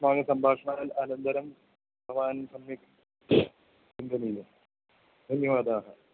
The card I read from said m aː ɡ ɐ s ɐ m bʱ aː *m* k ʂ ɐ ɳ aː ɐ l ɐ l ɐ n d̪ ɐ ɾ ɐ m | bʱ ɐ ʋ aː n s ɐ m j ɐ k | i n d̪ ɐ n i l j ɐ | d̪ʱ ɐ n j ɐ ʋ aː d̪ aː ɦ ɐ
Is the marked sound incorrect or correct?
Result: incorrect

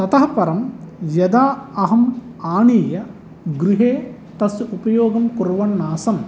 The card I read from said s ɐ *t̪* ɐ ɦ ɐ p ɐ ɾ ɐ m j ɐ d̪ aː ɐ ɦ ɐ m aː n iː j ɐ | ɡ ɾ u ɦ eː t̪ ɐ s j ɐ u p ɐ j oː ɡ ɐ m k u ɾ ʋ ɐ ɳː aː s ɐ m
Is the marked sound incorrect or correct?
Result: correct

